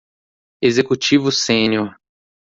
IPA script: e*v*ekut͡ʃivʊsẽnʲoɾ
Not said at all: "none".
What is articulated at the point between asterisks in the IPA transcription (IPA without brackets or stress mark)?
z